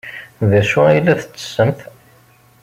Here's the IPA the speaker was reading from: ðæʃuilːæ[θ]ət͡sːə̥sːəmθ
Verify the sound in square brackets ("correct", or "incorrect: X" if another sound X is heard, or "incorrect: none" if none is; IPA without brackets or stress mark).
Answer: correct